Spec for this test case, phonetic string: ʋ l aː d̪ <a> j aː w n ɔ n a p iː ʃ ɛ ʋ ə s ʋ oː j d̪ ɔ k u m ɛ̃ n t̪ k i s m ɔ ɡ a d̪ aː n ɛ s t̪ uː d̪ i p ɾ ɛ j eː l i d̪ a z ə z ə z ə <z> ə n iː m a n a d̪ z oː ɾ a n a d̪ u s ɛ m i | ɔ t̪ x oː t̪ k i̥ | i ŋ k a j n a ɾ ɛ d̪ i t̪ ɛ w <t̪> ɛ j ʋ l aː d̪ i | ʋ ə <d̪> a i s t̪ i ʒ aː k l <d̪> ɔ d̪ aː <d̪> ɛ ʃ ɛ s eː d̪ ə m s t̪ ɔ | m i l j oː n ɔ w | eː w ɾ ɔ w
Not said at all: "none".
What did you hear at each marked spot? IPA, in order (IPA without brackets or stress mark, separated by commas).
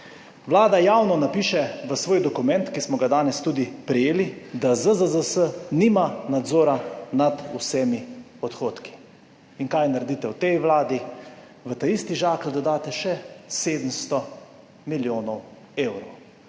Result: a, s, t̪, t̪, d̪, t̪